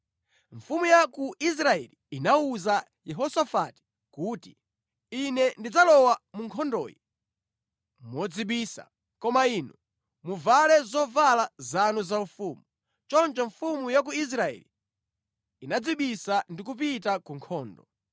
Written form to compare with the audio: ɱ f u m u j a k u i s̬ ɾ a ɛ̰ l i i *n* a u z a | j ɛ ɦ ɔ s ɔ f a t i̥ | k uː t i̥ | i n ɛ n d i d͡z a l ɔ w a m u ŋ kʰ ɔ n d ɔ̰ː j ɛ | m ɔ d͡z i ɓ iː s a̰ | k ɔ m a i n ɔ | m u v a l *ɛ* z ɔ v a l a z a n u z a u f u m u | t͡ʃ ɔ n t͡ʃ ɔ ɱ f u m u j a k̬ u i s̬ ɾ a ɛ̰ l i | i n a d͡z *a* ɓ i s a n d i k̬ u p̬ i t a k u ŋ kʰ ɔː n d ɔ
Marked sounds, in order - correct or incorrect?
correct, correct, incorrect: i

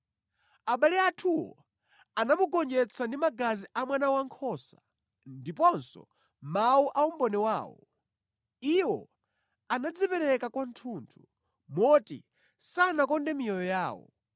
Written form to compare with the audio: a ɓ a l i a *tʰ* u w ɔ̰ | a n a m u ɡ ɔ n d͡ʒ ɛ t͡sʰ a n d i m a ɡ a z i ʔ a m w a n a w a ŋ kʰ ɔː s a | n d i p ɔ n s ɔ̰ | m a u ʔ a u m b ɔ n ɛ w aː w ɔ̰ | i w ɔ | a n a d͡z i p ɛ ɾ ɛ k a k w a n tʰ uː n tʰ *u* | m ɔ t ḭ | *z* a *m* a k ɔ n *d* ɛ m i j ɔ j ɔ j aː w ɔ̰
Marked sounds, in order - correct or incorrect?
correct, correct, incorrect: s, incorrect: n, correct

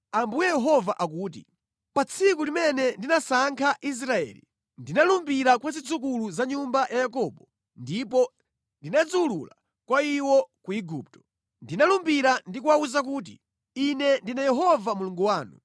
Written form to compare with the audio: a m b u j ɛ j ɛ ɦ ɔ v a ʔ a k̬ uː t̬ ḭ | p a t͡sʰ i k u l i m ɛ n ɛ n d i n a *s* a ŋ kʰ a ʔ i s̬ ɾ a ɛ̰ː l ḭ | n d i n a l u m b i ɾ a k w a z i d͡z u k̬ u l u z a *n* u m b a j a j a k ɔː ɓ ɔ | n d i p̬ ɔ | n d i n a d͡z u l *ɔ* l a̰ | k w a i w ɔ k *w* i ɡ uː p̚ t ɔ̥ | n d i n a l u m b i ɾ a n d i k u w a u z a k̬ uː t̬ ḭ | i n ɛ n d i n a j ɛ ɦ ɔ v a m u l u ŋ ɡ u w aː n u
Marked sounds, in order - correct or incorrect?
correct, incorrect: ɲ, incorrect: u, incorrect: u

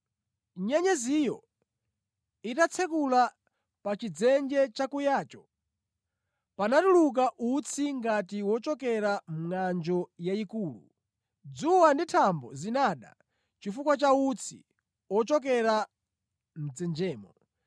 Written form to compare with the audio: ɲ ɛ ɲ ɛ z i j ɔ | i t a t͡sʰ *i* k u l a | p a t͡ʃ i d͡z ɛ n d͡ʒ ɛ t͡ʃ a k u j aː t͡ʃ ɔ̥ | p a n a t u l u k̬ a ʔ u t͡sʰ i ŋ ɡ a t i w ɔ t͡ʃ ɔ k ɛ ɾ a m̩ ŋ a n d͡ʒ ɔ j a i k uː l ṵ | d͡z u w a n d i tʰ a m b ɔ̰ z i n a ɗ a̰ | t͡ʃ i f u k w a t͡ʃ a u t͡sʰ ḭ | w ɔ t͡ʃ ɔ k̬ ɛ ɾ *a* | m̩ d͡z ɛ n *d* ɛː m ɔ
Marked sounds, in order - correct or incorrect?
incorrect: ɛ, correct, incorrect: d͡ʒ

